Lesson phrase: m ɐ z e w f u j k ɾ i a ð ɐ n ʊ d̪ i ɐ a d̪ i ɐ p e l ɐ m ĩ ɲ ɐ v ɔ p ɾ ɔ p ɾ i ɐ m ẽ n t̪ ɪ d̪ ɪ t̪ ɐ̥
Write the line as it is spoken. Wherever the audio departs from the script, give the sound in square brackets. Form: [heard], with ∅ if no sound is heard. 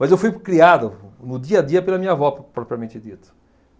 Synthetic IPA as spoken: m ɐ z e w f u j k ɾ i a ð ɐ n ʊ d̪ i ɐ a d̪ i ɐ p e l ɐ m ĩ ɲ ɐ v ɔ p ɾ ɔ p ɾ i ɐ m ẽ n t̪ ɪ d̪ [i] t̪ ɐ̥